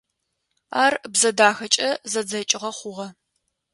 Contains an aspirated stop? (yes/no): no